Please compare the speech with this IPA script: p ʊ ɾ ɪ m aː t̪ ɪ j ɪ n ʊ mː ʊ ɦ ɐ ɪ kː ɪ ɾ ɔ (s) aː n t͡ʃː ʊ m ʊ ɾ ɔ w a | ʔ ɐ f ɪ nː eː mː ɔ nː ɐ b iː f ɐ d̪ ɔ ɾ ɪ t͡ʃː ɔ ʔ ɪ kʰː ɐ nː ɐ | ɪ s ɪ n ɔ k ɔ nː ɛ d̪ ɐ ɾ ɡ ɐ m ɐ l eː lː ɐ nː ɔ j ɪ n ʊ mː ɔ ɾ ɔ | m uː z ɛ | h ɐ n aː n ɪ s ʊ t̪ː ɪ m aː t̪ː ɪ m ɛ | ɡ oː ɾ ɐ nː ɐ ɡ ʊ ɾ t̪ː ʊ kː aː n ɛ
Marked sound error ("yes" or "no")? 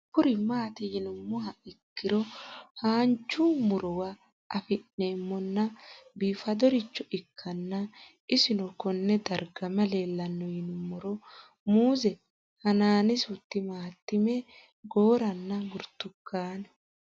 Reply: yes